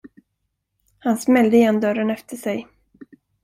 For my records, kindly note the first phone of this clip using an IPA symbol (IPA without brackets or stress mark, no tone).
h